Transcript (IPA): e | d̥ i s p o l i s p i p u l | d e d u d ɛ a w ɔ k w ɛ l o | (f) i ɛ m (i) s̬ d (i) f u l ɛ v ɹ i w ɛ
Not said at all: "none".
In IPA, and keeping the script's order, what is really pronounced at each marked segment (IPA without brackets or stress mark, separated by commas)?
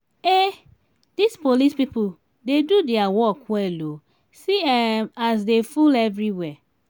s, a, e